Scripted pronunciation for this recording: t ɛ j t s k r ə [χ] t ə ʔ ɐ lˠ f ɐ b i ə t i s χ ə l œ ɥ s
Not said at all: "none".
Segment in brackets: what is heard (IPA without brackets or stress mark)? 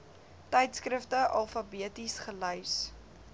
f